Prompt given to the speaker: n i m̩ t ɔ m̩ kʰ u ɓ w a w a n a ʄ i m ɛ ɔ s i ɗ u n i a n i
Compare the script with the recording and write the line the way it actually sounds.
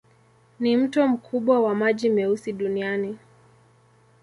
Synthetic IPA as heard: n i m̩ t ɔ m̩ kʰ u ɓ w a w a m a ʄ i m ɛ u s i ɗ u n i a n i